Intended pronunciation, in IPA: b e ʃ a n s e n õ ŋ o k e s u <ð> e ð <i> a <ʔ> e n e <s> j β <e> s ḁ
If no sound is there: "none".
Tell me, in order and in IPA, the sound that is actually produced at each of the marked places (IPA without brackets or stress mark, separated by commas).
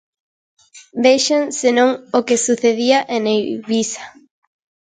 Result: θ, i, ʔ, none, i